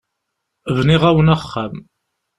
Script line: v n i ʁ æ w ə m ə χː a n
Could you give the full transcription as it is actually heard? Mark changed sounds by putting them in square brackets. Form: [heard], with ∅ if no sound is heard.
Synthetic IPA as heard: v n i ʁ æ w ə [n] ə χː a [m]